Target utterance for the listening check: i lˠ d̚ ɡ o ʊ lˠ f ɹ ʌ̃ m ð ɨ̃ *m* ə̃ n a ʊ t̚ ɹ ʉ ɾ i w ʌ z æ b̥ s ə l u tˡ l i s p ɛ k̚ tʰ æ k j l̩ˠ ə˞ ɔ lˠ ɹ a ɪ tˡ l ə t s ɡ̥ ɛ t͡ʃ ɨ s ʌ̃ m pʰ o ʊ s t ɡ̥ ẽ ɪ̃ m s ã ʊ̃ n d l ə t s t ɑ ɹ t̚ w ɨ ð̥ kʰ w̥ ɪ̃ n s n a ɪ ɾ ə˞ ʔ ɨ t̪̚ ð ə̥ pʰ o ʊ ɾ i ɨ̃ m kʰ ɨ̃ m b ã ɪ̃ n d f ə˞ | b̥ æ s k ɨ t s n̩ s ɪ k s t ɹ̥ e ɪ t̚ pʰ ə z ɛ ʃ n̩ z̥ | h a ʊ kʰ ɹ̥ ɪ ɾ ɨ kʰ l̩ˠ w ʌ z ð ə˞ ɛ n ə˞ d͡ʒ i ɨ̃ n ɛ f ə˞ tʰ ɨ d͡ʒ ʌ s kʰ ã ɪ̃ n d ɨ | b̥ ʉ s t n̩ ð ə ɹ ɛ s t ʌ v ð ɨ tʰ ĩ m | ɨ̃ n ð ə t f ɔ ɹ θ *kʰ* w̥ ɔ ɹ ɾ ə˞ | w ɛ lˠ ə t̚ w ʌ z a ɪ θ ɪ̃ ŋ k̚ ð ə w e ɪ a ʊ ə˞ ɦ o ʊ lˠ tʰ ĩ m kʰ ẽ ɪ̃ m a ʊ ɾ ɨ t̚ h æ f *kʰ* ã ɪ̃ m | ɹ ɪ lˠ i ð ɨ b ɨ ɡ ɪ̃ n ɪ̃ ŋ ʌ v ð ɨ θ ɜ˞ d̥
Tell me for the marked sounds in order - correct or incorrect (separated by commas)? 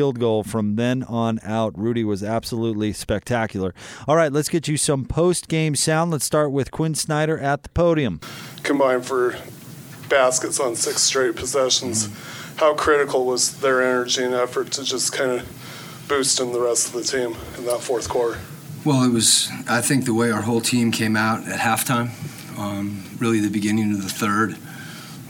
incorrect, correct, incorrect